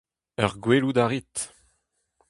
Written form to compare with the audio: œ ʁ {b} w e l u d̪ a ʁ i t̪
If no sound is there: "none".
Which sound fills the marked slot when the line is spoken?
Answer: ɡ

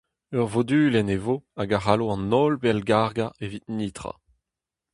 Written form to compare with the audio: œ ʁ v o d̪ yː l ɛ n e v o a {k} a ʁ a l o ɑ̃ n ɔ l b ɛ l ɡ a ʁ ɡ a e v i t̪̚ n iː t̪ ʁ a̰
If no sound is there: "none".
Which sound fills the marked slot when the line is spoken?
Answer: ɡ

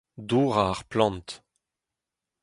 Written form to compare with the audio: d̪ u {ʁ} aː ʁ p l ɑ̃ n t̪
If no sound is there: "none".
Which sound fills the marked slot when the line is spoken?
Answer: ʁ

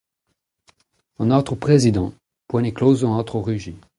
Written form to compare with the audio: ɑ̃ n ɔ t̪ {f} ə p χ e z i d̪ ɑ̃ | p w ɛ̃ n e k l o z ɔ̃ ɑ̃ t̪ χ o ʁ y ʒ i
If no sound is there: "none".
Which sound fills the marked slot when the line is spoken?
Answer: χ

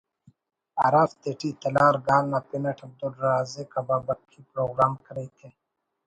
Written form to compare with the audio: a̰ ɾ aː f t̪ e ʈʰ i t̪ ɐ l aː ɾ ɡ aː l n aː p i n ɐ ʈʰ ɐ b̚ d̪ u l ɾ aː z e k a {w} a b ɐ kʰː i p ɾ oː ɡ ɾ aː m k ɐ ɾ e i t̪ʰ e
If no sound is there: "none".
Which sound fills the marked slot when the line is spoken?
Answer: b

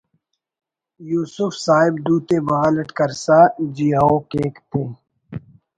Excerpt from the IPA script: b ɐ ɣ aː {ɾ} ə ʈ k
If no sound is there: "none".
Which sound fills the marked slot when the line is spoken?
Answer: l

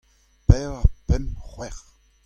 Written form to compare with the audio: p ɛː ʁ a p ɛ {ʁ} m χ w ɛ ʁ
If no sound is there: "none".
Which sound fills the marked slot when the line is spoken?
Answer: none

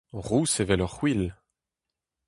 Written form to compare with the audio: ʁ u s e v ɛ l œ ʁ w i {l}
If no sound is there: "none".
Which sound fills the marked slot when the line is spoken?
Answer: l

